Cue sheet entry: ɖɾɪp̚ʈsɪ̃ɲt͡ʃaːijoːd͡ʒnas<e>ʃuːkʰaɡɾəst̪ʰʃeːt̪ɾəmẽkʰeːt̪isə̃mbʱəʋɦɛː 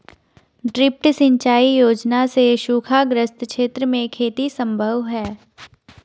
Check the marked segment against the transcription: correct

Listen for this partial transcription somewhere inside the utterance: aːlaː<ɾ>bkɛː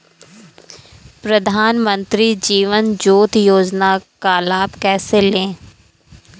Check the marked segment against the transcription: incorrect: none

